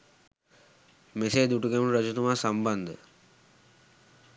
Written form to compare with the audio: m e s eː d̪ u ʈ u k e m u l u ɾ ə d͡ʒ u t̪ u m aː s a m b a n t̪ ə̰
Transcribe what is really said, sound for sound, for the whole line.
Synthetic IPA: m e s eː d̪ u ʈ u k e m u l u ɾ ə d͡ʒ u t̪ u m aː s a m b a n d̪ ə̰